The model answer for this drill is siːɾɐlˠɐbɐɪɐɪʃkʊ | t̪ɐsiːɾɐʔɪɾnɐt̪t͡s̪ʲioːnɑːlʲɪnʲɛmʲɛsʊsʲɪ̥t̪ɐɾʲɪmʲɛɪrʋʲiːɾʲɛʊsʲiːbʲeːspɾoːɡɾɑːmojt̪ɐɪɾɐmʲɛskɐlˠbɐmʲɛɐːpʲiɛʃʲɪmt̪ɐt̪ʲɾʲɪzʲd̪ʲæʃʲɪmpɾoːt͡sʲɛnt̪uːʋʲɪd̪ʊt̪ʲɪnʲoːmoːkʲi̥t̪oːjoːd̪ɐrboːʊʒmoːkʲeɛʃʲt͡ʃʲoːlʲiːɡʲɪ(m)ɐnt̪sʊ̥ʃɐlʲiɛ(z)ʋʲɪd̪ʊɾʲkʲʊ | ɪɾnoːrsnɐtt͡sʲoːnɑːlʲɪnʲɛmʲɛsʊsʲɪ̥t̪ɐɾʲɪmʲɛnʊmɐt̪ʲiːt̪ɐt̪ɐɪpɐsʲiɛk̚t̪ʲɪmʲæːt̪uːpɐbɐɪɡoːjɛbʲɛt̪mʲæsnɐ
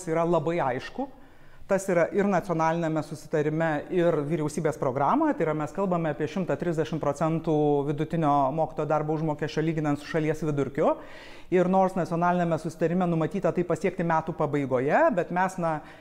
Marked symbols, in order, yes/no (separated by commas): no, no